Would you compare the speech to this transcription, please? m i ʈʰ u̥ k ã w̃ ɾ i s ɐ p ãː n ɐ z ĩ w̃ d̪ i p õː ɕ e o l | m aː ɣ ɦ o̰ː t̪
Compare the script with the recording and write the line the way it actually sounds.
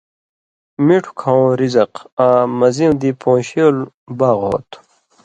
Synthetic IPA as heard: m i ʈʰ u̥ kʰ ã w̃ ɾ i z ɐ q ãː m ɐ z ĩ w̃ d̪ i p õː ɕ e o l | b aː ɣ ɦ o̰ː t̪